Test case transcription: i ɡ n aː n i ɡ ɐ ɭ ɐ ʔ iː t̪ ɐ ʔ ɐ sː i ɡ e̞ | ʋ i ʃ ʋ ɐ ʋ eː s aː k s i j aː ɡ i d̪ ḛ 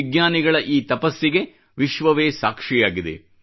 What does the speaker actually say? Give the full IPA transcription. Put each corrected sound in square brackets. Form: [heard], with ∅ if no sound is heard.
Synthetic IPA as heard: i ɡ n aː n i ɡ ɐ ɭ ɐ ʔ iː t̪ ɐ [p] ɐ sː i ɡ e̞ | ʋ i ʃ ʋ ɐ ʋ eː s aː k [ʂ] i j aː ɡ i d̪ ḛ